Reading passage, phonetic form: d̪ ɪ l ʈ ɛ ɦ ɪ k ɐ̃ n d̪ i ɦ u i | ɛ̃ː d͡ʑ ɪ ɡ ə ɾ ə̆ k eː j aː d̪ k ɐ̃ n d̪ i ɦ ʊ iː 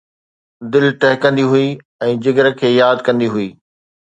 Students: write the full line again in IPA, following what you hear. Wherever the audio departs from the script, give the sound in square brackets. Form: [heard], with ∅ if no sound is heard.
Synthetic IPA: d̪ ɪ l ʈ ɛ ɦ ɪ k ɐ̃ n d̪ i ɦ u i | ɛ̃ː d͡ʑ ɪ ɡ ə ɾ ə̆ [kʰ] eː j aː d̪ k ɐ̃ n d̪ i ɦ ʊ iː